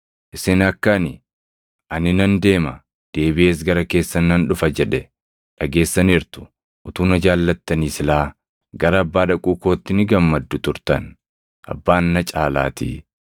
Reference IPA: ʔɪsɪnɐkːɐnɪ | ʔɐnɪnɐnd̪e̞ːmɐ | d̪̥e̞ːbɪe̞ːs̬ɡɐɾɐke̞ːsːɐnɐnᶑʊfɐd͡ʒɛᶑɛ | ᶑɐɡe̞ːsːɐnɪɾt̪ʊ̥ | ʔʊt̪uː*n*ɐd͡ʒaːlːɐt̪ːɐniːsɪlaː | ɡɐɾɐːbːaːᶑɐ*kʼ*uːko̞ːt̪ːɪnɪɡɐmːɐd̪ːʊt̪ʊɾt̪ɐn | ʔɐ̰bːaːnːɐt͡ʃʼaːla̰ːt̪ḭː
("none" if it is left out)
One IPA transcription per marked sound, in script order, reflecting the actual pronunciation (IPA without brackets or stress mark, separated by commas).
n, kʼ